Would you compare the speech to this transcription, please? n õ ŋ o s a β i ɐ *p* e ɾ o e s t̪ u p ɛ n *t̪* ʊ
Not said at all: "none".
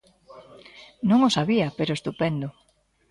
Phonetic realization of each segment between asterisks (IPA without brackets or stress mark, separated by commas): p, d̪